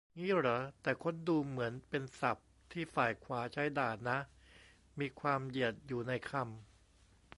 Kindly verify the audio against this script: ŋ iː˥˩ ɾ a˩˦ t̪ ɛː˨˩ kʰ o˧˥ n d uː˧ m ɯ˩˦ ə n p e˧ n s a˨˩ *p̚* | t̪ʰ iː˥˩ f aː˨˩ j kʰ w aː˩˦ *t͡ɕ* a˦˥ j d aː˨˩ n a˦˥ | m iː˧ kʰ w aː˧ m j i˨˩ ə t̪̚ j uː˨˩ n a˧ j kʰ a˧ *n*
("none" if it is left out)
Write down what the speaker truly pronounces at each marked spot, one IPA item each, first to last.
p̚, t͡ɕʰ, m

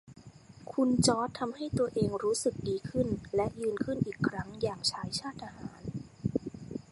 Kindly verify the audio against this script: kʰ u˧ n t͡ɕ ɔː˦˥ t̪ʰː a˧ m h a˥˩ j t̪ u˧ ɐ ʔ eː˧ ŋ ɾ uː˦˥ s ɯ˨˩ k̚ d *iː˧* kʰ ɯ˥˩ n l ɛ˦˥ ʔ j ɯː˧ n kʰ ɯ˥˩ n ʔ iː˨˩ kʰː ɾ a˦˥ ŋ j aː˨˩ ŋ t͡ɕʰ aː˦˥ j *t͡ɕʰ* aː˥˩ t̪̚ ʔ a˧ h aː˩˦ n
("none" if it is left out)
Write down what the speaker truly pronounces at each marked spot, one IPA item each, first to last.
iː˧, t͡ɕʰ

